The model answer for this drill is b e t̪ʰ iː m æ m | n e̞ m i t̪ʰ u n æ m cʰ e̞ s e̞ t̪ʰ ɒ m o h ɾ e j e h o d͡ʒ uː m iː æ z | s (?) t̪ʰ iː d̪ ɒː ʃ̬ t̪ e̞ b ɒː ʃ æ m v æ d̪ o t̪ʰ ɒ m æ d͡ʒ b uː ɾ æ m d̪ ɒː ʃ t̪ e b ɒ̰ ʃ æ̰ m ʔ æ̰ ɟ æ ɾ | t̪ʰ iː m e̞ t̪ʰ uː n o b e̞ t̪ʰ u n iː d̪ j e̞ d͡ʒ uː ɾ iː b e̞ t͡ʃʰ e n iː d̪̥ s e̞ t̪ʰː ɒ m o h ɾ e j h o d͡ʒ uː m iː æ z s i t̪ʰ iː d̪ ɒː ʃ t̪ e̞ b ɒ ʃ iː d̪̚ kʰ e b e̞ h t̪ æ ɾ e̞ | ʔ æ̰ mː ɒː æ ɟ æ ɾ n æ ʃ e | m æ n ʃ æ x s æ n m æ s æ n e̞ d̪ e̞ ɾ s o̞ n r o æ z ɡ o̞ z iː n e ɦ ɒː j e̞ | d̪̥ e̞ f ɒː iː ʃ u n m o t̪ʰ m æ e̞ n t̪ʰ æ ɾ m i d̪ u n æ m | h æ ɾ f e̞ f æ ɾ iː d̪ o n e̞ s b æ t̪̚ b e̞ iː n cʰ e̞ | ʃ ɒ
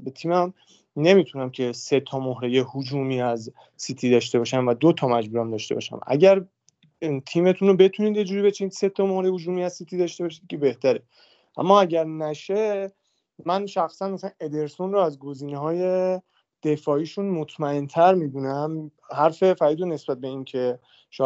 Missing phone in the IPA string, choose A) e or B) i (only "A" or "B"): B